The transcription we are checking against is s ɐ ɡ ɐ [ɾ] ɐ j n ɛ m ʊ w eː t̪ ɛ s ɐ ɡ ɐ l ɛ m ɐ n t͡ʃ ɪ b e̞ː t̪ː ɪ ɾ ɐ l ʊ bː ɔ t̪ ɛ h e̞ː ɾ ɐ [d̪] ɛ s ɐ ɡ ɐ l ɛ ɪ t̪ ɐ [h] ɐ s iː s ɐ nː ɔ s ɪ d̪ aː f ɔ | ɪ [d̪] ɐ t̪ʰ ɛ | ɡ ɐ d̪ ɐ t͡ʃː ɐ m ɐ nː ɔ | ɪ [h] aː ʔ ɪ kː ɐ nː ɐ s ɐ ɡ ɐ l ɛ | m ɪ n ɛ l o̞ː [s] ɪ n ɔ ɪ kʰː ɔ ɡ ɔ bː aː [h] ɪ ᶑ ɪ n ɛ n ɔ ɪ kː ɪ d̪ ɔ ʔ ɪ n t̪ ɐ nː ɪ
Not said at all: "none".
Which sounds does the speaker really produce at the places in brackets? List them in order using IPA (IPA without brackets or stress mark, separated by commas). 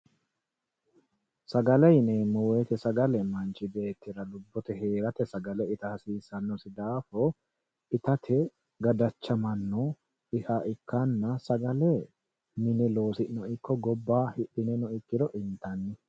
l, t̪, h, t̪, h, s, h